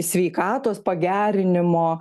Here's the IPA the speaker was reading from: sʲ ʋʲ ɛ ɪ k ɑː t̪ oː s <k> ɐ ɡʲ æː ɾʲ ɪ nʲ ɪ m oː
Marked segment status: incorrect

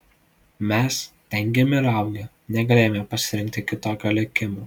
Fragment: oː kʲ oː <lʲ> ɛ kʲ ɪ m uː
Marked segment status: correct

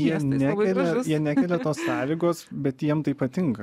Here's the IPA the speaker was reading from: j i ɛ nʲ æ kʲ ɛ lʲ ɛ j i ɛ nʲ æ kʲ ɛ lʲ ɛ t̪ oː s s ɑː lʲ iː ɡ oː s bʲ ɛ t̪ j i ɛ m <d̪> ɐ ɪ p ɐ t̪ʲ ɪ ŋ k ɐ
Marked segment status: incorrect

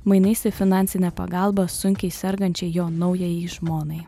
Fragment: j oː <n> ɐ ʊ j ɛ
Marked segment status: correct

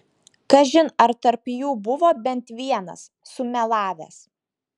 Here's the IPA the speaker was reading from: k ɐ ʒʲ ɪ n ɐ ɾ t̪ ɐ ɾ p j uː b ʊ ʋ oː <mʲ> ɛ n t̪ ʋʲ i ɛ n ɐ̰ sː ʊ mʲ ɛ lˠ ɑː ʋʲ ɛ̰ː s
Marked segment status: incorrect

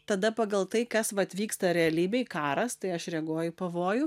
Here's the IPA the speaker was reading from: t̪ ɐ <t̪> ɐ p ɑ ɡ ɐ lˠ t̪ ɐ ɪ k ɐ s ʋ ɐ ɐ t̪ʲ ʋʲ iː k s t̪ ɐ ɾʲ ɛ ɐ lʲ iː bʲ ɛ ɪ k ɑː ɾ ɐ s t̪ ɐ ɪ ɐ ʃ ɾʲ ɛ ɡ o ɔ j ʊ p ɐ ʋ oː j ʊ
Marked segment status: incorrect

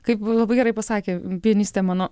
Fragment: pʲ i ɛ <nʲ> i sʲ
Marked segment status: correct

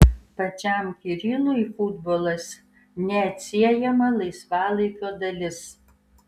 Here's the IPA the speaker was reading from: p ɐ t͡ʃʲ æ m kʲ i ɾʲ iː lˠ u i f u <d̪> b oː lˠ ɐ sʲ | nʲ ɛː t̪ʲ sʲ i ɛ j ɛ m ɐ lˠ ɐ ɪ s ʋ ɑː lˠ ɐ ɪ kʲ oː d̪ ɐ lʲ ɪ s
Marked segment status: correct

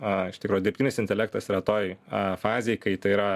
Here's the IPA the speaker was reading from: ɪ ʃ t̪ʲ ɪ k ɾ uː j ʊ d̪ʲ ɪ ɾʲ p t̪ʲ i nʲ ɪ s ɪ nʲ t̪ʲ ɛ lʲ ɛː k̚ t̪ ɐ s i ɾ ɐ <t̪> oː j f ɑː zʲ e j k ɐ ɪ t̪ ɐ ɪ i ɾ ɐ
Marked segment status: correct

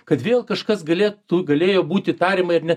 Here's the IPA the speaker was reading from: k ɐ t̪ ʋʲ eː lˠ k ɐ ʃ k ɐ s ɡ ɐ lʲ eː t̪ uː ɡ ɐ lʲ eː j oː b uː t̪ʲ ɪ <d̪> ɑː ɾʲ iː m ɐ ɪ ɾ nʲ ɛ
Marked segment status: incorrect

